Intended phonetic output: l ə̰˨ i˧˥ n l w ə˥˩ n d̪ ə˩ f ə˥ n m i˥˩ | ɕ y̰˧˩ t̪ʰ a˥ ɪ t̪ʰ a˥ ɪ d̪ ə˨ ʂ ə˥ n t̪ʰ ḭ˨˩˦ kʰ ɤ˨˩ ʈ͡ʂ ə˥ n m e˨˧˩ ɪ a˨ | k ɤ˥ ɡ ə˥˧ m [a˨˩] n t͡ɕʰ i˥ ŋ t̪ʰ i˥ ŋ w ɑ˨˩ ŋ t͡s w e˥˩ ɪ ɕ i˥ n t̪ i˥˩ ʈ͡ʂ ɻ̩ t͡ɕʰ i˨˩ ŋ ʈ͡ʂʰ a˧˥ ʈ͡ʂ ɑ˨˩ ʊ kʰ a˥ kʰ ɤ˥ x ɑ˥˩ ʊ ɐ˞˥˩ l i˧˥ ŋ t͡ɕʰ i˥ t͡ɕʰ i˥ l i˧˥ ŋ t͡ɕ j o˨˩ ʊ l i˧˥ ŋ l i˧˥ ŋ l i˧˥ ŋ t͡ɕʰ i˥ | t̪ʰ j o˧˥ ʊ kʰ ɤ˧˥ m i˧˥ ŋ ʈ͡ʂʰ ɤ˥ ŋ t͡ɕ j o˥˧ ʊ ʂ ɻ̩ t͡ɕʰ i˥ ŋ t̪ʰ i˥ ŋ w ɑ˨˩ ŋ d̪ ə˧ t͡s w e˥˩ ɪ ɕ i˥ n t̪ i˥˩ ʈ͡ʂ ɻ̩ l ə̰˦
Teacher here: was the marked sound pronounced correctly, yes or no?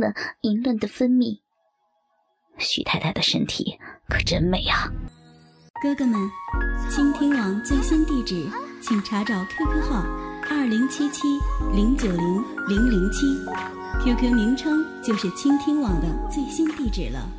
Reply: no